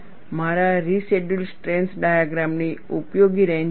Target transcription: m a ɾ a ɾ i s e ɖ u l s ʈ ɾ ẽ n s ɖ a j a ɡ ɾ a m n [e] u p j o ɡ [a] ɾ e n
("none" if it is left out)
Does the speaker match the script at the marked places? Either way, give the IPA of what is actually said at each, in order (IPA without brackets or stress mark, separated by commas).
i, i